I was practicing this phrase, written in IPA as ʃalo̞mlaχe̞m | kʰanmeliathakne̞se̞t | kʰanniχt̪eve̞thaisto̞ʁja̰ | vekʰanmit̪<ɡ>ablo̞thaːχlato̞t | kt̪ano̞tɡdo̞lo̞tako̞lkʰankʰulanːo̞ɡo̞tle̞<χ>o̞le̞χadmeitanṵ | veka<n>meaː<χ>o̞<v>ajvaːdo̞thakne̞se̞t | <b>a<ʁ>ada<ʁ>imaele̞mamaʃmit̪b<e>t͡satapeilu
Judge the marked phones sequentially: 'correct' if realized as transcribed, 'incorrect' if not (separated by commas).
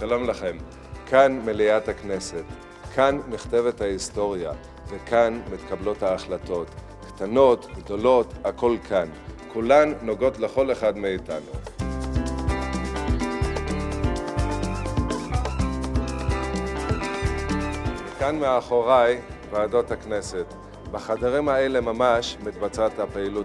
incorrect, correct, correct, correct, incorrect, correct, incorrect, correct, incorrect